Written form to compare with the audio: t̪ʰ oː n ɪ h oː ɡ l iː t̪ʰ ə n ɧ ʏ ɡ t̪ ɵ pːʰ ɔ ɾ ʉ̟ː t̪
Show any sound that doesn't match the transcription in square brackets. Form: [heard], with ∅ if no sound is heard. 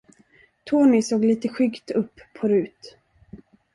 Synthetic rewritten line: t̪ʰ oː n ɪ [s] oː ɡ l iː [t̪] ə [∅] ɧ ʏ ɡ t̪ ɵ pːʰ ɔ ɾ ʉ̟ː t̪